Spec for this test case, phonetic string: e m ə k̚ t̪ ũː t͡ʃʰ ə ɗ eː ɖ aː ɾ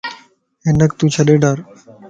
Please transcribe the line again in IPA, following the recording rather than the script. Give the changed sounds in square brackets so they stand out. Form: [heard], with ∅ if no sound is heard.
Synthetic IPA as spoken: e [n] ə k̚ t̪ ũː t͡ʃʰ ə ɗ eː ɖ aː ɾ